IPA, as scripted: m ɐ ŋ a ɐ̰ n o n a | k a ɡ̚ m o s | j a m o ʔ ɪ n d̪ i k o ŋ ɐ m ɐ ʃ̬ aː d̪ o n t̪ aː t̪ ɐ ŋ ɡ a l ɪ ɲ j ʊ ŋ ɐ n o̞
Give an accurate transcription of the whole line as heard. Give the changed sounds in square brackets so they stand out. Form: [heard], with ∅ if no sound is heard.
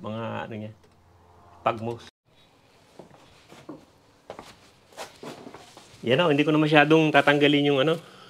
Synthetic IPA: m ɐ ŋ a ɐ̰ n o [ɲ] a | [p] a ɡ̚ m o s | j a [n] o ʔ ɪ n d̪ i k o [n] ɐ m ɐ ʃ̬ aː d̪ o [ŋ] t̪ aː t̪ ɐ ŋ ɡ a l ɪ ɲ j ʊ ŋ ɐ n o̞

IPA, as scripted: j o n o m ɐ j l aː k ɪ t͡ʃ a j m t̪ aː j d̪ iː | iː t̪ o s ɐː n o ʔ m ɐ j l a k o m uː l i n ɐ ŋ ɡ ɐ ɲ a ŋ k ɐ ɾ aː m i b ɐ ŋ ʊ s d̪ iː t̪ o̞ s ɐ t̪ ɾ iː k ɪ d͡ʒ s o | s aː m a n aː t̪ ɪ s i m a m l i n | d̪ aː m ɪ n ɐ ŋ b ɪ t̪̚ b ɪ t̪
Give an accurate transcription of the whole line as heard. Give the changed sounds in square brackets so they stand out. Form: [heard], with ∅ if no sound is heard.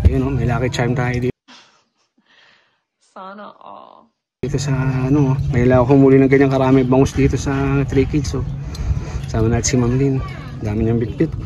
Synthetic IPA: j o n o m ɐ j l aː k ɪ t͡ʃ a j m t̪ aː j d̪ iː | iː t̪ o s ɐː n o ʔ m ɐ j l a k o m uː l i n ɐ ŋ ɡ ɐ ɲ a ŋ k ɐ ɾ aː m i b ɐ ŋ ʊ s d̪ iː t̪ o̞ s ɐ t̪ ɾ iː k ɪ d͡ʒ s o | s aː m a n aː t̪ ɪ s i m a m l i n | d̪ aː m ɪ [ɲ] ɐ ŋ b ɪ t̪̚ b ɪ t̪

